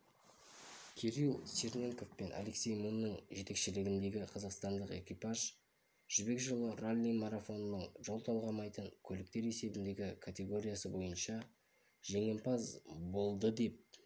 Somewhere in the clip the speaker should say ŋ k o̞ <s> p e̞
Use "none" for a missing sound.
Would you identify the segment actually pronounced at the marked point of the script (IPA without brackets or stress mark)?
f